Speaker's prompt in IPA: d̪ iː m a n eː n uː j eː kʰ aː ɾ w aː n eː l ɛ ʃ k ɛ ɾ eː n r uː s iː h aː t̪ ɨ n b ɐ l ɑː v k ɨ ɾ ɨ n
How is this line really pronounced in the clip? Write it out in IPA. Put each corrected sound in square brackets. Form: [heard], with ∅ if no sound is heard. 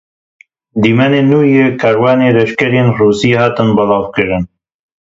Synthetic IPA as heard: d̪ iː m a n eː n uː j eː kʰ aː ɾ w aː n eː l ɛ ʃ k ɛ ɾ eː n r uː s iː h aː t̪ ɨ n b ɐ l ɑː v k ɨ ɾ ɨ n